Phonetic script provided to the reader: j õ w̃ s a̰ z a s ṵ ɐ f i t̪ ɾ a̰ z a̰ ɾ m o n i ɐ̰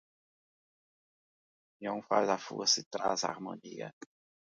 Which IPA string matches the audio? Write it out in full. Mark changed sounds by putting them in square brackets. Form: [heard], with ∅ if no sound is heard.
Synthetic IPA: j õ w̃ [f] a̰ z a [f] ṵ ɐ [s] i t̪ ɾ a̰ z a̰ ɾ m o n i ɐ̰